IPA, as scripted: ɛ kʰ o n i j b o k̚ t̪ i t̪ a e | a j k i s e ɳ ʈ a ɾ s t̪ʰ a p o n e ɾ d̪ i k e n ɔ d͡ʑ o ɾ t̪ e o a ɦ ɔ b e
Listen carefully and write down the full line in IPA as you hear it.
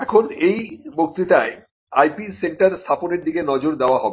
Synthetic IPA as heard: ɛ kʰ o n e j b o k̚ t̪ i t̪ a e | a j p i s e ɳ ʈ a ɾ s t̪ʰ a p o n e ɾ d̪ i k e n ɔ d͡ʑ o ɾ d̪ e o a ɦ ɔ b e